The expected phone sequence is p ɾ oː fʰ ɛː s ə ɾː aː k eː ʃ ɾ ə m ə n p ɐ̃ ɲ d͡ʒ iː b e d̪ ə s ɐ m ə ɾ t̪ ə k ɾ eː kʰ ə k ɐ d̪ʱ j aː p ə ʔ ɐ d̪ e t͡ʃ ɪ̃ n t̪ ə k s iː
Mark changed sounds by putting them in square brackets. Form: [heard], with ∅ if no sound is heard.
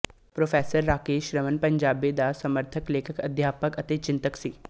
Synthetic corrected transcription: p ɾ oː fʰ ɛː s ə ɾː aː k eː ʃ ɾ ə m ə n p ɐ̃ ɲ d͡ʒ [aː] b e d̪ [a] s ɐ m ə ɾ [t̪ʰ] ə k [l] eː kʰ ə k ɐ d̪ʱ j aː p ə [k] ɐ [t̪] e t͡ʃ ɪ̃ n t̪ ə k s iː